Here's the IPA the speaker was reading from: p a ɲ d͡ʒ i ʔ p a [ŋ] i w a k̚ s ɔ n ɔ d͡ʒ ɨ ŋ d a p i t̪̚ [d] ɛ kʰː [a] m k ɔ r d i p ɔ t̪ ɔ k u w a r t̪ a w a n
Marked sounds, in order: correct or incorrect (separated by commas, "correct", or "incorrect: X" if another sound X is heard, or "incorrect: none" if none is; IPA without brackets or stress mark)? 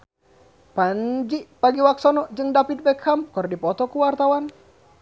incorrect: ɡ, incorrect: b, correct